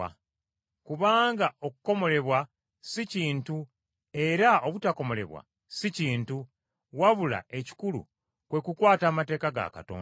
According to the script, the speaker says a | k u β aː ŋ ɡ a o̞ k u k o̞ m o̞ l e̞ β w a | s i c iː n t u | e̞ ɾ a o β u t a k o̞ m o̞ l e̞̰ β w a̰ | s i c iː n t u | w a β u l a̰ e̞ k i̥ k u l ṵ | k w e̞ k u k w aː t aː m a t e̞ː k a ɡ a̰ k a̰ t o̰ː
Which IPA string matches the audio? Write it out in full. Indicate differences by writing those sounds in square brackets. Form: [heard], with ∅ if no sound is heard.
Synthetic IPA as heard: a | k u β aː ŋ ɡ a o̞ k u k o̞ m o̞ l e̞ β w a | s i c iː n t u | e̞ ɾ a o β u t a k o̞ m o̞ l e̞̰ β w a̰ | s i c iː n t u | w a β u l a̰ e̞ [c] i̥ k u l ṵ | k w e̞ k u k w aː t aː m a t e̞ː k a ɡ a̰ k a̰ t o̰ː